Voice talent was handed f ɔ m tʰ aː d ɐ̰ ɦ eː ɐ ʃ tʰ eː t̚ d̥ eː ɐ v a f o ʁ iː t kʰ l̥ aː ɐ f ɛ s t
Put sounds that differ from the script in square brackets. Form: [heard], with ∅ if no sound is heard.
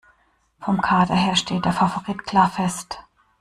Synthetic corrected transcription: f ɔ m [kʰ] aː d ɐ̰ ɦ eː ɐ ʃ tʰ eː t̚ d̥ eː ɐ [f] a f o ʁ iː t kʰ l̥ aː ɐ f ɛ s t